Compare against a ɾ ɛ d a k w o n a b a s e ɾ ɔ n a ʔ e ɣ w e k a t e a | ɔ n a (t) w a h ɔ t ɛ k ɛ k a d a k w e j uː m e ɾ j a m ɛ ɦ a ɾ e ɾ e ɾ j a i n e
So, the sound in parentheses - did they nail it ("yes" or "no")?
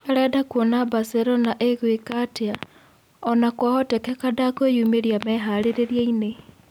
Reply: no